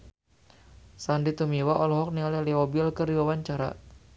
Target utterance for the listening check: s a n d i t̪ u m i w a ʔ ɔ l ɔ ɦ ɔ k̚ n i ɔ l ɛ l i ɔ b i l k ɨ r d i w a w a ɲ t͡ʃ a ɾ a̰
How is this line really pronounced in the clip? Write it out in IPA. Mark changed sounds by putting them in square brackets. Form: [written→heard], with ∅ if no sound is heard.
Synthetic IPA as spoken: s a n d i t̪ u m i w a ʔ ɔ l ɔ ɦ ɔ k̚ n i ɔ l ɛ l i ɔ b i l k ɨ r d i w a w a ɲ t͡ʃ a ɾ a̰